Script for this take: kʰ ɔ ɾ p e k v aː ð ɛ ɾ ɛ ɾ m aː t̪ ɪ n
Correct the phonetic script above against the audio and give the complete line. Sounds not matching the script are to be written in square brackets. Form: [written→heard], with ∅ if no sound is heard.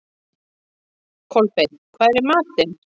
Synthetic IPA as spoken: kʰ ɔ [ɾ→l] p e [k→kʰ] v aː ð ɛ ɾ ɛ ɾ m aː t̪ ɪ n